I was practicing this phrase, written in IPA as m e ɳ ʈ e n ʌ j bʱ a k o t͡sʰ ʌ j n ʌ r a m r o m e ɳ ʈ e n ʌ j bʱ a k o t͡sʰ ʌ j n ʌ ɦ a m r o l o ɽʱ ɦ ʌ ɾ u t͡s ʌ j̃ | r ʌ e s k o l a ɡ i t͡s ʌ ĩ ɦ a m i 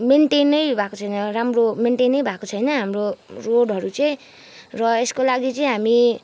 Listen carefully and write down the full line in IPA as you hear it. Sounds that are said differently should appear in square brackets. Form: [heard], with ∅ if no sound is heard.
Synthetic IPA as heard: m e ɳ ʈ e n ʌ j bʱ a k o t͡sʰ ʌ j n ʌ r a m r o m e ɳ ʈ e n ʌ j bʱ a k o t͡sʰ ʌ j n ʌ ɦ a m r o [r] o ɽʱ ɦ ʌ ɾ u t͡s ʌ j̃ | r ʌ e s k o l a ɡ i t͡s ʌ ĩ ɦ a m i

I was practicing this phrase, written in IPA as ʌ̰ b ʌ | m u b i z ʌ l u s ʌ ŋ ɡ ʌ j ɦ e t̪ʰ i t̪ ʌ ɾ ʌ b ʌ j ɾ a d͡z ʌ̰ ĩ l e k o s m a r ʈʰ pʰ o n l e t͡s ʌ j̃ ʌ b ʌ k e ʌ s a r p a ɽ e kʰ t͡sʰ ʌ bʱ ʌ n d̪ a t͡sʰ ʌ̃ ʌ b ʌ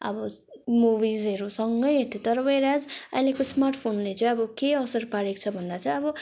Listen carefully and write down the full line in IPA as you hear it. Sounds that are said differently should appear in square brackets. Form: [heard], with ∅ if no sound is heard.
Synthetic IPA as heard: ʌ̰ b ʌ | m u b i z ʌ [ɾ] u s ʌ ŋ ɡ ʌ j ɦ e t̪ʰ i t̪ ʌ ɾ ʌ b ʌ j ɾ a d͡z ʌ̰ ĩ l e k o s m a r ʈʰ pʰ o n l e t͡s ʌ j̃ ʌ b ʌ k e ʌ s [ʌ] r p a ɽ e [k] t͡sʰ ʌ bʱ ʌ n d̪ a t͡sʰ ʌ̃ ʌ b ʌ

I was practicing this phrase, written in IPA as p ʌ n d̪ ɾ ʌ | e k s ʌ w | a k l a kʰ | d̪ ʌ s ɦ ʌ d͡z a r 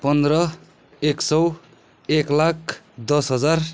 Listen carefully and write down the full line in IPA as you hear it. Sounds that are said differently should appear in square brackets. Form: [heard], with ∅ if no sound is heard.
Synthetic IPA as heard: p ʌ n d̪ ɾ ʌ | e k s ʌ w | [e] k l a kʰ | d̪ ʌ s ɦ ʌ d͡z a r

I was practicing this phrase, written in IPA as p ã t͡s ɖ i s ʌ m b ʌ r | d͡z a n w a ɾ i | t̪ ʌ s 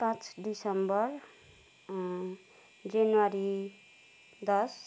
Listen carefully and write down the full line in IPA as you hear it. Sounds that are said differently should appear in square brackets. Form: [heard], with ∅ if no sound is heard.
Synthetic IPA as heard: p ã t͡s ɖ i s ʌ m b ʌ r | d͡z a n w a ɾ i | [d̪] ʌ s

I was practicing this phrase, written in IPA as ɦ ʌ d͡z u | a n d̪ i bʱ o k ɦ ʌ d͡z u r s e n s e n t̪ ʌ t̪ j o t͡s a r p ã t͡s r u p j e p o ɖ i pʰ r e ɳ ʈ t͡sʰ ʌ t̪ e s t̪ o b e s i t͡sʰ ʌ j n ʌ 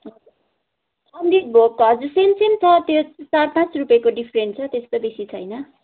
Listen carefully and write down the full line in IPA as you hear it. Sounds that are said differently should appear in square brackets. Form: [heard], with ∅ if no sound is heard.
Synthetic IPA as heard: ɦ ʌ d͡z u | [ʌ] n d̪ i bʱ o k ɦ ʌ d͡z u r s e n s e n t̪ ʌ t̪ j o t͡s a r p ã t͡s r u p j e [k] o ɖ i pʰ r e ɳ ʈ t͡sʰ ʌ t̪ e s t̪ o b e s i t͡sʰ ʌ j n ʌ

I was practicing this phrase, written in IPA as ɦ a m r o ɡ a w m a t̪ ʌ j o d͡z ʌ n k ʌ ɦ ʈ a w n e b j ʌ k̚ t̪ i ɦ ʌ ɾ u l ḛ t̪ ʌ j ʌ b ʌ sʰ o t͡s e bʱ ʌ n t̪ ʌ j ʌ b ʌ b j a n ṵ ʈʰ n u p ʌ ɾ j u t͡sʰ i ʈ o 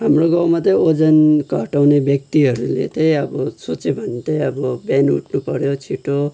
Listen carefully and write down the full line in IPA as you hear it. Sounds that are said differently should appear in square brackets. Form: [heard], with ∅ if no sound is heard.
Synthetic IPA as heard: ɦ a m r o ɡ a w m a t̪ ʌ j o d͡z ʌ n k ʌ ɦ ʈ a w n e b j ʌ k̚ t̪ i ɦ ʌ ɾ u l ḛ t̪ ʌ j ʌ b ʌ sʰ o t͡s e bʱ ʌ n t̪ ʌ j ʌ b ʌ b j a n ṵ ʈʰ n u p ʌ ɾ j [o] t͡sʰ i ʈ o

